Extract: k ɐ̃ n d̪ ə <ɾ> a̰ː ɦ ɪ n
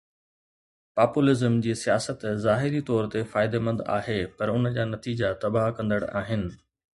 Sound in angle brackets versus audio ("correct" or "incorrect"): incorrect